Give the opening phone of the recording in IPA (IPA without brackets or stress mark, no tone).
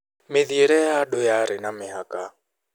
m